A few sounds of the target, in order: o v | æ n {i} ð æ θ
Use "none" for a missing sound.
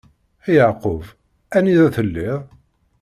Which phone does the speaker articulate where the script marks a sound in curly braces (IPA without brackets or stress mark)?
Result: i